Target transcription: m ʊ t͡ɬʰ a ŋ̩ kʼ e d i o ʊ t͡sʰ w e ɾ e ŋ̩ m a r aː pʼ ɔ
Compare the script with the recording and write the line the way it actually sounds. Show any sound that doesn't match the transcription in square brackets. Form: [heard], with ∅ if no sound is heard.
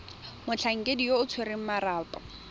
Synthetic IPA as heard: m ʊ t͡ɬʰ a ŋ̩ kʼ e d i o ʊ t͡sʰ w e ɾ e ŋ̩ m a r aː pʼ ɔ